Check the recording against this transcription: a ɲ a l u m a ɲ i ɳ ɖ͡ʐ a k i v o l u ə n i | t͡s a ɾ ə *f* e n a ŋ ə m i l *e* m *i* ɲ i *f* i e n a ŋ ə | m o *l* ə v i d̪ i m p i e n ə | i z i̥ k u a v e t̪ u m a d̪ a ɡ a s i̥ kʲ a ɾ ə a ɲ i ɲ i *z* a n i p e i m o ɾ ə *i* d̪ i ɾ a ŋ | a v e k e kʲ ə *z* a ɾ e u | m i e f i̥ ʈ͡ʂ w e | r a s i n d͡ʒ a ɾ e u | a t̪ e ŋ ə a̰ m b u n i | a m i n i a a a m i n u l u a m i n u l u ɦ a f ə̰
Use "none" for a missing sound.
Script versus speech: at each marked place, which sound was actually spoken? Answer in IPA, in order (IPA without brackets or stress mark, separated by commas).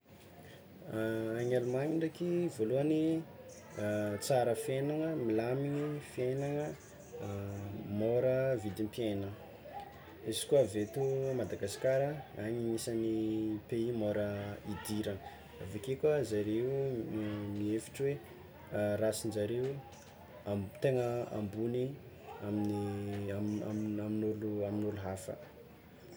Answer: f, a, i, f, ɾ, s, i, z